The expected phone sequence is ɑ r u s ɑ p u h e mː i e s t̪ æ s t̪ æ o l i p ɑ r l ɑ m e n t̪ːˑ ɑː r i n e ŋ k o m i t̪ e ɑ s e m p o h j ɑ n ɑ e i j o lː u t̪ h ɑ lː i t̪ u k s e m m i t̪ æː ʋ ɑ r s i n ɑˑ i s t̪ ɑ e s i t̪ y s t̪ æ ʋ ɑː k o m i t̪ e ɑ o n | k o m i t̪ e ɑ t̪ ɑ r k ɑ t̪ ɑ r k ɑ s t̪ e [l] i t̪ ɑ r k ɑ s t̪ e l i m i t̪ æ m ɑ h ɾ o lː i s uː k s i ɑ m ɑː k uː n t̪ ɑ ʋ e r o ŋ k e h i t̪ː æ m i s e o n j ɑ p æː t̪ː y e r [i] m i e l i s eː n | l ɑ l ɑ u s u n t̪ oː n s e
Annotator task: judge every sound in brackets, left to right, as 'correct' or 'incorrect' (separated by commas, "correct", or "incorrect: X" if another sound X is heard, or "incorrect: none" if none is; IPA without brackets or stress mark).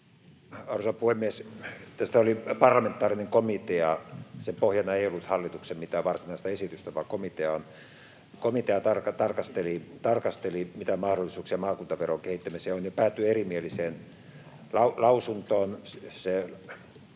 correct, correct